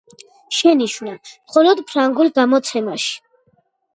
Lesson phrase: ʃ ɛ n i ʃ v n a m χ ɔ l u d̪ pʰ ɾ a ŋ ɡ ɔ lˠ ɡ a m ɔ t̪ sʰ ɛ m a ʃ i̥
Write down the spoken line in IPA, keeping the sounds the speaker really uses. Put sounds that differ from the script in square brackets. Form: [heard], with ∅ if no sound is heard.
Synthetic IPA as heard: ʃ ɛ n i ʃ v n a m χ ɔ l [ɔ] d̪ pʰ ɾ a ŋ ɡ [u] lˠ ɡ a m ɔ t̪ sʰ ɛ m a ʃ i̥

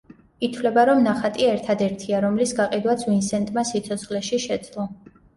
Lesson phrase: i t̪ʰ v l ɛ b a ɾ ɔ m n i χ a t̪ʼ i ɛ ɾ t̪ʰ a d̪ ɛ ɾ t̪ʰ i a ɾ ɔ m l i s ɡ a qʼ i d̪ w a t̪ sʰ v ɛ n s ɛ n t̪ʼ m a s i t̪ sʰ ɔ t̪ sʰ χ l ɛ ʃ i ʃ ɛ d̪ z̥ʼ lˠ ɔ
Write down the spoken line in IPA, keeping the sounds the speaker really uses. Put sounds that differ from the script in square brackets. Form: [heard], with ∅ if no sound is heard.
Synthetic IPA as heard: i t̪ʰ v l ɛ b a ɾ ɔ m n [a] χ a t̪ʼ i ɛ ɾ t̪ʰ a d̪ ɛ ɾ t̪ʰ i a ɾ ɔ m l i s ɡ a qʼ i d̪ w a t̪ sʰ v [i] n s ɛ n t̪ʼ m a s i t̪ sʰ ɔ t̪ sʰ χ l ɛ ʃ i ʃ ɛ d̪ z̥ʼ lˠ ɔ

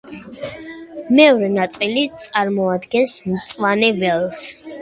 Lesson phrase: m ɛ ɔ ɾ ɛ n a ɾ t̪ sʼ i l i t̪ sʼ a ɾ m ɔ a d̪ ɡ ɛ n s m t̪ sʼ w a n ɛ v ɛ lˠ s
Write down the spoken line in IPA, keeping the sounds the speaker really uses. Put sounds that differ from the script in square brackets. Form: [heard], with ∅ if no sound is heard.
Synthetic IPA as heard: m ɛ ɔ ɾ ɛ n a [∅] t̪ sʼ i l i t̪ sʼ a ɾ m ɔ a d̪ ɡ ɛ n s m t̪ sʼ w a n ɛ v ɛ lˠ s

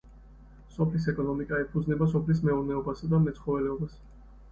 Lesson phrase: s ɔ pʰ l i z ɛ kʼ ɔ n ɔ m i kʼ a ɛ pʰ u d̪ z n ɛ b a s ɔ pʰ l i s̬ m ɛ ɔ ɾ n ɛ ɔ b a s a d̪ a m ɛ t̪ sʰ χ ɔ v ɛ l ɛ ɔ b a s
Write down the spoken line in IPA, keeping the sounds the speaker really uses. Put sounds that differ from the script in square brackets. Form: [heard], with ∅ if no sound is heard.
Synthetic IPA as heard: s ɔ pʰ l i [s] ɛ kʼ ɔ n ɔ m i kʼ a ɛ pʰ u d̪ z n ɛ b a s ɔ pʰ l i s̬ m ɛ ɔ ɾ n ɛ ɔ b a s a d̪ a m ɛ t̪ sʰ χ ɔ v ɛ l ɛ ɔ b a s

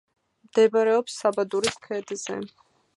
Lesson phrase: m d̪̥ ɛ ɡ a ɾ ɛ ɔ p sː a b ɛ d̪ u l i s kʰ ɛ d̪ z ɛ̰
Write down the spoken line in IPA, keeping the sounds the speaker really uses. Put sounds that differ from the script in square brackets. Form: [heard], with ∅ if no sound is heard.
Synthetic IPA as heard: m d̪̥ ɛ [b] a ɾ ɛ ɔ p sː a b [a] d̪ u [ɾ] i s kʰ ɛ d̪ z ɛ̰

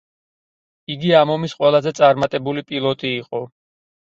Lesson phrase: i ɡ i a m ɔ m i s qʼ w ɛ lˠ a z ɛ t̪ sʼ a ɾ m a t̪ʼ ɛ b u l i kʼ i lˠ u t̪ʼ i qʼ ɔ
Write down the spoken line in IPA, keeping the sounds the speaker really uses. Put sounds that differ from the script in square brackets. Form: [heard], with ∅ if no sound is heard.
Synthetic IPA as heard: i ɡ i a m ɔ m i s qʼ w ɛ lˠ a z ɛ t̪ sʼ a ɾ m a t̪ʼ ɛ b u l i [pʼ] i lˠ [ɔ] t̪ʼ [iː] qʼ ɔ

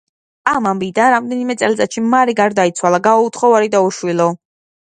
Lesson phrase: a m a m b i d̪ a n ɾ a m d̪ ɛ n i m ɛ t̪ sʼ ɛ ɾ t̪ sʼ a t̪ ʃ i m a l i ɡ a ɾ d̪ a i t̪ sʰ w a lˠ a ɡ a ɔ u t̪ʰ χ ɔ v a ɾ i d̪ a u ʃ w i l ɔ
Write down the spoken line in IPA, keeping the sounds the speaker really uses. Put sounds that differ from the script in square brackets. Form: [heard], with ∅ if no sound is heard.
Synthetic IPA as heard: a m a m b i d̪ a n ɾ a m d̪ ɛ n i m ɛ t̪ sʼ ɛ [l] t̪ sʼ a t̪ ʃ i m a [ɾ] i ɡ a ɾ d̪ a i t̪ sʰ w a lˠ a ɡ a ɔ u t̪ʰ χ ɔ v a ɾ i d̪ a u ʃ w i l ɔ

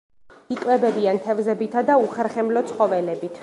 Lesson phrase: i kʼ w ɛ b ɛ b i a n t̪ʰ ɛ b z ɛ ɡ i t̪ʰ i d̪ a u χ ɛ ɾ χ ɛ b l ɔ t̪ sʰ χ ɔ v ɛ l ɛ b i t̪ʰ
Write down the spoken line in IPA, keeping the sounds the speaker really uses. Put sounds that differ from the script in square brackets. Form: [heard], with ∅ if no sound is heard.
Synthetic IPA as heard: i kʼ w ɛ b ɛ b i a n t̪ʰ ɛ [v] z ɛ [b] i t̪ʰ [a] d̪ a u χ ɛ ɾ χ ɛ [m] l ɔ t̪ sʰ χ ɔ v ɛ l ɛ b i t̪ʰ

